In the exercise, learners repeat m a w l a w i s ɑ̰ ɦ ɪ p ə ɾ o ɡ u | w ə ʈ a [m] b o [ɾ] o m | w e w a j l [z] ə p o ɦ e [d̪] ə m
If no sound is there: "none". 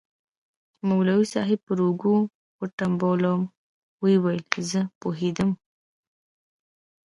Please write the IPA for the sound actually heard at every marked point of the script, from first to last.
m, l, z, d̪

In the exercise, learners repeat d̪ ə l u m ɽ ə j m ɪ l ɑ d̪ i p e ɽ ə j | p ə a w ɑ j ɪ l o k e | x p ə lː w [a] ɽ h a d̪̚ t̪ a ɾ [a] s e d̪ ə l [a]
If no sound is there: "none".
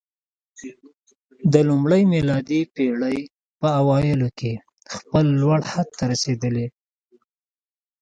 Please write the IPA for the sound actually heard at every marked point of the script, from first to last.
a, a, e

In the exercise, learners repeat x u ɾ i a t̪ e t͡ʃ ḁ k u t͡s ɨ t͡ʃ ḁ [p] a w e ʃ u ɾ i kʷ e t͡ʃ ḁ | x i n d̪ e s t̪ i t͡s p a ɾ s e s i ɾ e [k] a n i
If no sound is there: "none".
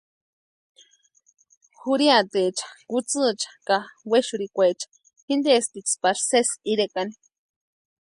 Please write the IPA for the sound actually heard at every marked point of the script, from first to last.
k, k

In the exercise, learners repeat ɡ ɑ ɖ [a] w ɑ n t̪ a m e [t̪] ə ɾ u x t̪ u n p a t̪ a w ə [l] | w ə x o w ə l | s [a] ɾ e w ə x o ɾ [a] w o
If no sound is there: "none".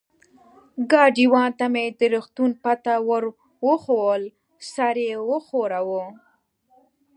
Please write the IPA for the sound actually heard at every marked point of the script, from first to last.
i, d̪, ɾ, a, a

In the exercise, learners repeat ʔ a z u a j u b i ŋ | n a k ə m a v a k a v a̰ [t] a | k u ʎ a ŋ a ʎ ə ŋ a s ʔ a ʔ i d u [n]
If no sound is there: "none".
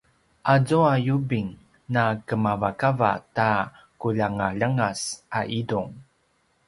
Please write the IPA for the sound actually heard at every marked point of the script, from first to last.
t, ŋ

